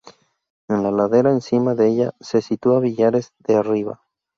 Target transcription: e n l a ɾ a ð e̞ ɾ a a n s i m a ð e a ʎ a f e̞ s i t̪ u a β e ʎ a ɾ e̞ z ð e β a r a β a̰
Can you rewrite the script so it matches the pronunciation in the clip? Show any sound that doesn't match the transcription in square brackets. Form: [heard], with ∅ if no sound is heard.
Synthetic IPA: e n l a [l] a ð e̞ ɾ a [e] n s i m a ð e [e] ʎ a [s] e̞ s i t̪ u a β [i] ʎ a ɾ e̞ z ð e [∅] a r [i] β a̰